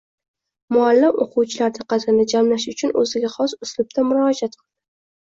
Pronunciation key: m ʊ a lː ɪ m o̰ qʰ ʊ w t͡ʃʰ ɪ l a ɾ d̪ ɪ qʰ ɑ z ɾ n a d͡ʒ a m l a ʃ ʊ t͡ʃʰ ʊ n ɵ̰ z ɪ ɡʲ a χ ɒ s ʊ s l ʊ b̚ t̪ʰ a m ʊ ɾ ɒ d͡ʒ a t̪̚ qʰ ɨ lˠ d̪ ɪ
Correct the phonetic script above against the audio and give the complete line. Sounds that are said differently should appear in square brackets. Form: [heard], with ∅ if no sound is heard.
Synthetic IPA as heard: m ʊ a lː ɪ m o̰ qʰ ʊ w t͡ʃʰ ɪ l a ɾ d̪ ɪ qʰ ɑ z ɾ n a d͡ʒ a m l a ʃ ʊ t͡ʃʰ ʊ n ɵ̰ z ɪ ɡʲ a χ ɒ s ʊ s l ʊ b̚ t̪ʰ a m ʊ ɾ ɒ d͡ʒ a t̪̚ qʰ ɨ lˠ d̪ ɪ